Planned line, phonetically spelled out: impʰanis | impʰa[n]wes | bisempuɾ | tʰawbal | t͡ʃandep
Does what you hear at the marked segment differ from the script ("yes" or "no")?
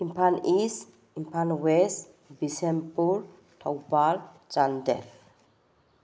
no